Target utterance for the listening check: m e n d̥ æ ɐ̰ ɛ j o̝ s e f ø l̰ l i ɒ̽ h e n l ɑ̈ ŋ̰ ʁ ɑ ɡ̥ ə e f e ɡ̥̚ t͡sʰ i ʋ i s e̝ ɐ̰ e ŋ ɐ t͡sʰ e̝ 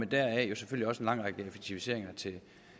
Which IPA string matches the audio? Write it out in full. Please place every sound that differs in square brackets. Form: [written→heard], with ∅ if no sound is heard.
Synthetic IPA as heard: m e n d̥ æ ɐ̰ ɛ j o̝ s e f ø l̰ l i ɒ̽ [h→s] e n l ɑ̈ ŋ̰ ʁ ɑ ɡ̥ ə e f e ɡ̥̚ t͡sʰ i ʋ i s e̝ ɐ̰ e ŋ ɐ t͡sʰ e̝